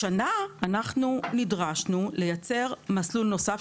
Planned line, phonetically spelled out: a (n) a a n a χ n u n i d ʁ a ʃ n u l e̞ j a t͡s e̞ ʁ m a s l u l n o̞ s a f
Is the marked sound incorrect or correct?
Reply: correct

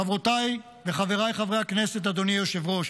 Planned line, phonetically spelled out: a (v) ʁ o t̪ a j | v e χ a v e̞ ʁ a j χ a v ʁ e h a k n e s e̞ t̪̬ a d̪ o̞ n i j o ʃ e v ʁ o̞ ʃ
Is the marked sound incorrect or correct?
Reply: correct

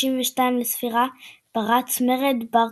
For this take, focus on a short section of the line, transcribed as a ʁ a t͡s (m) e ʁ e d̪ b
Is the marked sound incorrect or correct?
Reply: correct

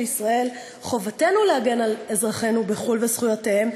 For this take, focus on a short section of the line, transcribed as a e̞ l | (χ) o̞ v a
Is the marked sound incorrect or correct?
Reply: correct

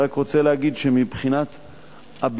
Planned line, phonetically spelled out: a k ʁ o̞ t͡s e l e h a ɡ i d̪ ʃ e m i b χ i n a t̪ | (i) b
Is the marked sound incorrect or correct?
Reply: incorrect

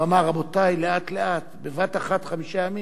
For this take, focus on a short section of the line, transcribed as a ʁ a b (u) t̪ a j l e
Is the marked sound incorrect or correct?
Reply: incorrect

